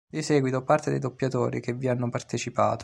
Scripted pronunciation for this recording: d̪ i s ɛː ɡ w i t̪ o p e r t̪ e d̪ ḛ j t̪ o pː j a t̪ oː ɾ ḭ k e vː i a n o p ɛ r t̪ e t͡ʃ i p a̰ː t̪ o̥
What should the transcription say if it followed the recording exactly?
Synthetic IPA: d̪ i s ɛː ɡ w i t̪ o p a r t̪ e d̪ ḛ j d̪ o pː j a t̪ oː ɾ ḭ k e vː i a nː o p a r t̪ e t͡ʃ i p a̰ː t̪ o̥